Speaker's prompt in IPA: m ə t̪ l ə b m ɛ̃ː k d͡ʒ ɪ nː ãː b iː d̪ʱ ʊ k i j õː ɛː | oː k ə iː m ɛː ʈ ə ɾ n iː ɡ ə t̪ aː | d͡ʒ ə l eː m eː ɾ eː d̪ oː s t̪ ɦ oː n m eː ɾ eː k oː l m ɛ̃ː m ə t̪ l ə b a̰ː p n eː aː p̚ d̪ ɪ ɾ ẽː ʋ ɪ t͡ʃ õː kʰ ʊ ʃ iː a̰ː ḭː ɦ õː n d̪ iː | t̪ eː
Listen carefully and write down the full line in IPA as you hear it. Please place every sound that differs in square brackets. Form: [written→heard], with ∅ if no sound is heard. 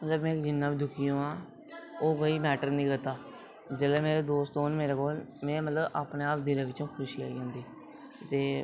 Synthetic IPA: m ə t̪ l ə b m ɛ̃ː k d͡ʒ ɪ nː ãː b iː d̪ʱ ʊ k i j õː [ɛː→aː] | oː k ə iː m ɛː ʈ ə ɾ n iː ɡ ə t̪ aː | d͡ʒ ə l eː m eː ɾ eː d̪ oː s t̪ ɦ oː n m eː ɾ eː k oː l m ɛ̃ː m ə t̪ l ə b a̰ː p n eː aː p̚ d̪ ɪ ɾ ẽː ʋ ɪ t͡ʃ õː kʰ ʊ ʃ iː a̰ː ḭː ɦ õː n d̪ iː | t̪ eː

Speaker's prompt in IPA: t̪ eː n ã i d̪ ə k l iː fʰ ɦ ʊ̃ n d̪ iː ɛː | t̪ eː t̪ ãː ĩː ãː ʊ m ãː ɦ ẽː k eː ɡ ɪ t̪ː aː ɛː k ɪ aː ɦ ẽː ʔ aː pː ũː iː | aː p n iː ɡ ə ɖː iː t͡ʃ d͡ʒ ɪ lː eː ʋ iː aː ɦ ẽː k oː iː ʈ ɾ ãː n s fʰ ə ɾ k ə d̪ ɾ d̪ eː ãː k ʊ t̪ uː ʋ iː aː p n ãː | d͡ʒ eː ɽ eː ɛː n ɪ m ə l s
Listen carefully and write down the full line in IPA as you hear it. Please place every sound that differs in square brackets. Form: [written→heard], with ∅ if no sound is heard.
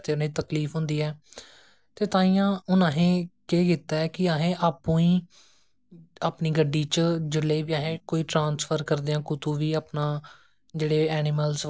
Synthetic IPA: t̪ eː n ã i [d̪→t̪] ə k l iː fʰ ɦ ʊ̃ n d̪ iː ɛː | t̪ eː t̪ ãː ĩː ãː ʊ [m→n] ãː ɦ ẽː k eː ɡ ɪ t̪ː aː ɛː k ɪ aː ɦ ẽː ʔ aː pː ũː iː | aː p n iː ɡ ə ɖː iː t͡ʃ d͡ʒ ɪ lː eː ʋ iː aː ɦ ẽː k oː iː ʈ ɾ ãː n s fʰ ə ɾ k ə [d̪→∅] ɾ d̪ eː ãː k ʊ t̪ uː ʋ iː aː p n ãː | d͡ʒ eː ɽ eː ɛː n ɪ m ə l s

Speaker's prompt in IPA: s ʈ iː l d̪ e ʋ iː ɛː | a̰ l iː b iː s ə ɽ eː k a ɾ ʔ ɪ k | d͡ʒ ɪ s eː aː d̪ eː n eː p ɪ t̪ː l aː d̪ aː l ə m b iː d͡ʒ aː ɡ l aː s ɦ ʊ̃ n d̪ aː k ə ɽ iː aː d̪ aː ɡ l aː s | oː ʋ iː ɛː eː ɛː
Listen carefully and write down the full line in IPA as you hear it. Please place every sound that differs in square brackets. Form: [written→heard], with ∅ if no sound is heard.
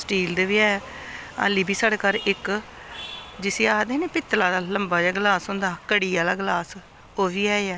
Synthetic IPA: s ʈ iː l d̪ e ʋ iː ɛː | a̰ l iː b iː s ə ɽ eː k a ɾ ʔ ɪ k | d͡ʒ ɪ s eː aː d̪ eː n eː p ɪ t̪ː l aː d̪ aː l ə m b [iː→aː] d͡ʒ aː ɡ l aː s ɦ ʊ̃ n d̪ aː k ə ɽ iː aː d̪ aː ɡ l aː s | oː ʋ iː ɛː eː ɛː

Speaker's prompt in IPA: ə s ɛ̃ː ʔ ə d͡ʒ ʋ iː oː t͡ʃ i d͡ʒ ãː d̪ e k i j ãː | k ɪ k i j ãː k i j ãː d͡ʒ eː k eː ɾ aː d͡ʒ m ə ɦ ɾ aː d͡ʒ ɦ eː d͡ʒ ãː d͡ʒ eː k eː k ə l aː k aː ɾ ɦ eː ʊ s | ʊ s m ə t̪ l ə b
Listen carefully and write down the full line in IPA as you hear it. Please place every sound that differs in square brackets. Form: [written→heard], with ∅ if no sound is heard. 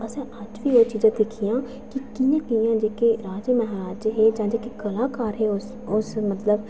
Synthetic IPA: ə s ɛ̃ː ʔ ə d͡ʒ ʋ iː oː t͡ʃ [i→iː] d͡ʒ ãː d̪ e [k→kʰ] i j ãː | k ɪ k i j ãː k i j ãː d͡ʒ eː k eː ɾ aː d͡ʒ m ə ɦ ɾ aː d͡ʒ ɦ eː d͡ʒ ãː d͡ʒ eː k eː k ə l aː k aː ɾ ɦ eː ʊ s | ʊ s m ə t̪ l ə b

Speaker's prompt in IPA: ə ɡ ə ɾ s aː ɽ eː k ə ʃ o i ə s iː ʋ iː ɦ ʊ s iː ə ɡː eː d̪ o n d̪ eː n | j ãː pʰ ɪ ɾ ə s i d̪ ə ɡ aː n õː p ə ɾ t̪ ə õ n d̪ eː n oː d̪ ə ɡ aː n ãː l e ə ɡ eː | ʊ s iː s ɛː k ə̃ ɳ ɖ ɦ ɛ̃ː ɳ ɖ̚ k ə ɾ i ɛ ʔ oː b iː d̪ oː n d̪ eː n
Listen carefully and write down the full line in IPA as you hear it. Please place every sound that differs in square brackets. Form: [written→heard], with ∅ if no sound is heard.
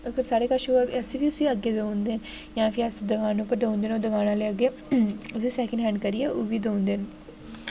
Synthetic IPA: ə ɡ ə ɾ s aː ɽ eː k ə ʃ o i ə s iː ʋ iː [ɦ→∅] ʊ s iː ə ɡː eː d̪ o n d̪ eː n | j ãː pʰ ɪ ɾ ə s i d̪ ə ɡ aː n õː p ə ɾ [t̪→d̪] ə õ n d̪ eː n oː d̪ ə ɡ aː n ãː l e ə ɡ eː | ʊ s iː s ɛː k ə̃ ɳ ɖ ɦ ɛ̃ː ɳ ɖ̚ k ə ɾ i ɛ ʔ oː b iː d̪ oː n d̪ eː n

